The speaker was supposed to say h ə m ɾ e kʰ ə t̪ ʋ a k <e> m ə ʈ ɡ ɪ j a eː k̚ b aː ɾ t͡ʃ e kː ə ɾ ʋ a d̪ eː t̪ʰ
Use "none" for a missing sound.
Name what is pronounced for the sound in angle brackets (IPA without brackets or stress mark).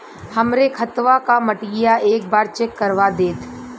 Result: a